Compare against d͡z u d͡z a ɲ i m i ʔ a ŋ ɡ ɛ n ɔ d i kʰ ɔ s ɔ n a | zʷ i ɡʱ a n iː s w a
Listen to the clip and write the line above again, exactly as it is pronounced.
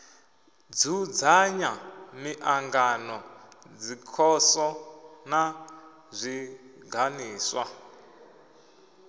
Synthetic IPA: d͡z u d͡z a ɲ a m i ʔ a ŋ ɡ a n ɔ d͡z i kʰ ɔ s ɔ n a | zʷ i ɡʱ a n iː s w a